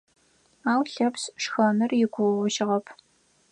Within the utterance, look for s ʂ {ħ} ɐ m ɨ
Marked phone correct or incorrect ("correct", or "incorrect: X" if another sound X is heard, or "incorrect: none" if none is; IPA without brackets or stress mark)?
incorrect: x